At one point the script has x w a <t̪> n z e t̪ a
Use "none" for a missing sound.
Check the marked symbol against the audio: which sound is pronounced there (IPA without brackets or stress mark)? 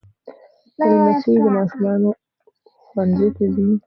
none